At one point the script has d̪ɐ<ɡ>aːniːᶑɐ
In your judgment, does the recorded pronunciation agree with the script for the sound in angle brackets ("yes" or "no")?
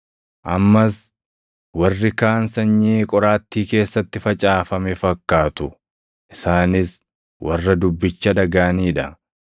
yes